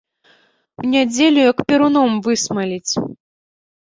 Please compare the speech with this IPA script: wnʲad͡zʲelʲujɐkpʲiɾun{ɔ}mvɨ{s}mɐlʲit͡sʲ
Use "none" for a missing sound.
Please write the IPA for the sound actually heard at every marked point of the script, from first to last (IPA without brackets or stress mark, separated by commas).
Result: ɔ, s